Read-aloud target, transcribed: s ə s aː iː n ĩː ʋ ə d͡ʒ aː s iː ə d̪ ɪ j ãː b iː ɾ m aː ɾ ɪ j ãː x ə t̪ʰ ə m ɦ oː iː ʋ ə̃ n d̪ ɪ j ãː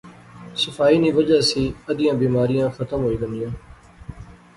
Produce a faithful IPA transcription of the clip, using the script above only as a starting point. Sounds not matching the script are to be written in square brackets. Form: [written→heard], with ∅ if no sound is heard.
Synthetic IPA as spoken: s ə [s→f] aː iː n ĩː ʋ ə d͡ʒ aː s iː ə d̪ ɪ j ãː b iː [ɾ→∅] m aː ɾ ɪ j ãː x ə [t̪ʰ→t̪] ə m ɦ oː iː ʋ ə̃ n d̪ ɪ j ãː